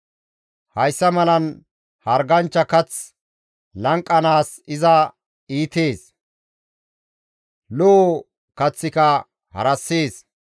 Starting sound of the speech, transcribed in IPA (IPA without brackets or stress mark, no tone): h